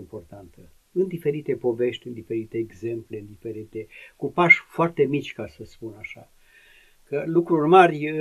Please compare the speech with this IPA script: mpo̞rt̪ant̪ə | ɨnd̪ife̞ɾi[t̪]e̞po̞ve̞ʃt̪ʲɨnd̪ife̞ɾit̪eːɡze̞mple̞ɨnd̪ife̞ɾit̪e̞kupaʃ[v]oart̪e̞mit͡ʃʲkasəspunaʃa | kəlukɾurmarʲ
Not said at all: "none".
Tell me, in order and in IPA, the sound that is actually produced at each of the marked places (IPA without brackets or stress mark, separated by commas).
t̪, f